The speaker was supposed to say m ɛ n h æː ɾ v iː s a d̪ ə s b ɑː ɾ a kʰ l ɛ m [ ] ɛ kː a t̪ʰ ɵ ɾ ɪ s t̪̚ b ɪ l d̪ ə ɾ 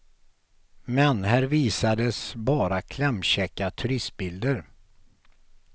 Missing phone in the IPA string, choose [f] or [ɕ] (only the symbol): ɕ